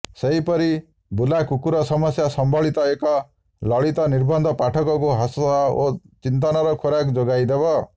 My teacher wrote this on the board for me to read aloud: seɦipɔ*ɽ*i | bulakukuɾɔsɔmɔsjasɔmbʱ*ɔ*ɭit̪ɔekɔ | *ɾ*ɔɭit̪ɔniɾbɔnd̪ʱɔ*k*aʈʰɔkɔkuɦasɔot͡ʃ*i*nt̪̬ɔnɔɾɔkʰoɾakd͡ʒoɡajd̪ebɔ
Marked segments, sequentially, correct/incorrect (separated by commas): incorrect, correct, incorrect, incorrect, correct